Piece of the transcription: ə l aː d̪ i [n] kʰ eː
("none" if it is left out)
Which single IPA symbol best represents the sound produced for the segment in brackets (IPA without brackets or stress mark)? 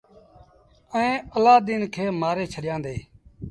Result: n